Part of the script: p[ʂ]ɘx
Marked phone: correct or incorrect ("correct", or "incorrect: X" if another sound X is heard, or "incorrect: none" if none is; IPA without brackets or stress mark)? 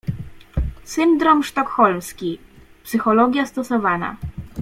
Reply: incorrect: s